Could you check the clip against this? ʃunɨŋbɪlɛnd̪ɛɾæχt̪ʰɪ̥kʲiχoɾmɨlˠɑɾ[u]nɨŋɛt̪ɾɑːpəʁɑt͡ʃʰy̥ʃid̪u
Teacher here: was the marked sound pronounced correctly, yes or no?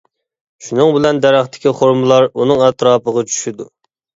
yes